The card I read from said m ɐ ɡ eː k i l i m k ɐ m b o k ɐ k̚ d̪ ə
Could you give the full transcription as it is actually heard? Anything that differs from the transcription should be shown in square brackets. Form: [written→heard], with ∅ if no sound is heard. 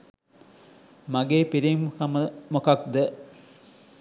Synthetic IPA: m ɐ ɡ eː [k→p] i [l→ɾ] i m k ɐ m [b→m] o k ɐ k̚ d̪ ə